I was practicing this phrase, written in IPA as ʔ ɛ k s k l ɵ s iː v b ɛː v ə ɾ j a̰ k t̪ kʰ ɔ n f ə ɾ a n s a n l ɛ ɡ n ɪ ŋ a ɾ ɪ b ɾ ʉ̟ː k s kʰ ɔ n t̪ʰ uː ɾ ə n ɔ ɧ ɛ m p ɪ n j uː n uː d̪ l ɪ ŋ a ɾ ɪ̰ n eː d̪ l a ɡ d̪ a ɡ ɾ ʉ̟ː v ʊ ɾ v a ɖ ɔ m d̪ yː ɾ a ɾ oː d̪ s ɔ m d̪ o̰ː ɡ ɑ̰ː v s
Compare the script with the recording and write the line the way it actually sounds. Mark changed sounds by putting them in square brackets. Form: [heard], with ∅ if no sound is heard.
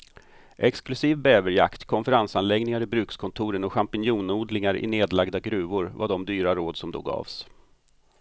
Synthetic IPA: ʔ ɛ k s k l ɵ s iː v b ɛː v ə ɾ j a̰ k t̪ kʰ ɔ n f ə ɾ a n s a n l ɛ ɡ n ɪ ŋ a ɾ ɪ b ɾ ʉ̟ː k s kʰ ɔ n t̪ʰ uː ɾ ə n ɔ ɧ [a] m p ɪ n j uː n uː d̪ l ɪ ŋ a ɾ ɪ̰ n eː d̪ l a ɡ d̪ a ɡ ɾ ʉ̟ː v ʊ ɾ v a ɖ ɔ m d̪ yː ɾ a ɾ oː d̪ s ɔ m d̪ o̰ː ɡ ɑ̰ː v s